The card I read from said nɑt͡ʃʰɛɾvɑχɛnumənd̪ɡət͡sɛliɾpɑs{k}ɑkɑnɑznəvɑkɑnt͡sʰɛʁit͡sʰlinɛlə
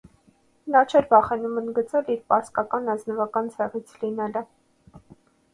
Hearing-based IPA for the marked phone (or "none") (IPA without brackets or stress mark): k